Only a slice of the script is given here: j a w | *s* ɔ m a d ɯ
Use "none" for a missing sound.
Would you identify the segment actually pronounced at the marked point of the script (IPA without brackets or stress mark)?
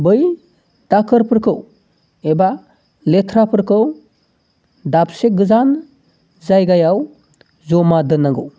z